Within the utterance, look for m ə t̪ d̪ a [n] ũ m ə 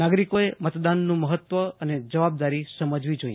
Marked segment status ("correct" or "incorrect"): incorrect